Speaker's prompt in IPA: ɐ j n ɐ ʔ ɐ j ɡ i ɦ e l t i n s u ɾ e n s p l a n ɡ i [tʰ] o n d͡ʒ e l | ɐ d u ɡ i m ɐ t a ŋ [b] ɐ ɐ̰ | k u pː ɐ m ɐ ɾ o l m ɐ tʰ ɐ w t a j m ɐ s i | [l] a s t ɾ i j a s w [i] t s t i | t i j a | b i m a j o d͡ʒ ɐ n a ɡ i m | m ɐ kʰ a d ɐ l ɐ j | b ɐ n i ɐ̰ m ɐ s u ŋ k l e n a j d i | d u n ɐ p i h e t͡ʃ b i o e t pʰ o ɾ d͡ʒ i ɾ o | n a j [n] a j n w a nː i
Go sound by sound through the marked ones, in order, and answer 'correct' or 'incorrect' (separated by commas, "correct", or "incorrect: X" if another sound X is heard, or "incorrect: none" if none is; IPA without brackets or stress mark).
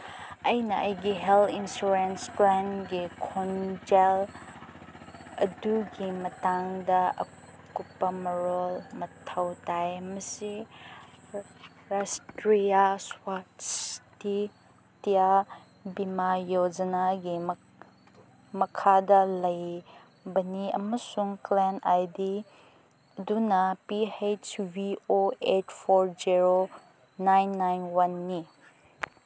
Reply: incorrect: kʰ, incorrect: d, incorrect: ɾ, incorrect: a, incorrect: nː